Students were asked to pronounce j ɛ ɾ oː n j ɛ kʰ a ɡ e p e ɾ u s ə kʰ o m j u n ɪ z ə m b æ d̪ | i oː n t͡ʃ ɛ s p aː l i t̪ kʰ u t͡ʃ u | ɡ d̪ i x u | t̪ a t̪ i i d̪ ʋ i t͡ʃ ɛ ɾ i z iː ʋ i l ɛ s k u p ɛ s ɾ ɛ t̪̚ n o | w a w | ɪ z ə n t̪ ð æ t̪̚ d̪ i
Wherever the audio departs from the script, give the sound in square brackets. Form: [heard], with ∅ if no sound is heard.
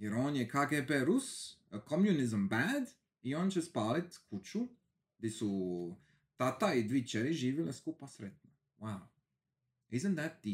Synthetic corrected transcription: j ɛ ɾ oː n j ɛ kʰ a ɡ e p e ɾ u s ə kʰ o m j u n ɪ z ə m b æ d̪ | i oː n t͡ʃ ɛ s p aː l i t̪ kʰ u t͡ʃ u | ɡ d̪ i [s] u | t̪ a t̪ [a] i d̪ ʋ i t͡ʃ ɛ ɾ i [ʒ] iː ʋ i l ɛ s k u p [a] s ɾ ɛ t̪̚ n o | w a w | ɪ z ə n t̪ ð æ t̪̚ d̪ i